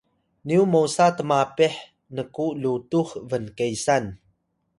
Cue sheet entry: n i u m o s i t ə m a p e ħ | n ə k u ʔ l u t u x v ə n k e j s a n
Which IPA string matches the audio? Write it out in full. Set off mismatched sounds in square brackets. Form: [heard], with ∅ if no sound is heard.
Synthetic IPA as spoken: n i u m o s [a] t ə m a p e ħ | n ə k u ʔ l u t u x v ə n k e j s a n